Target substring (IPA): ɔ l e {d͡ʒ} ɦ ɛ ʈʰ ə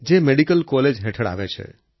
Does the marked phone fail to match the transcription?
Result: no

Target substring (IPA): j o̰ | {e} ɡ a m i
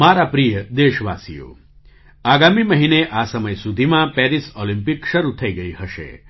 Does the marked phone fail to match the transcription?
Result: yes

